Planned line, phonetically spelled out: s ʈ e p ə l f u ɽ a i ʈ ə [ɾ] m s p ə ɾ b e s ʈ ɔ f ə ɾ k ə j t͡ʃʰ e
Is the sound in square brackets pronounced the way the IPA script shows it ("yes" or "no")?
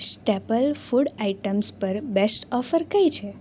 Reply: no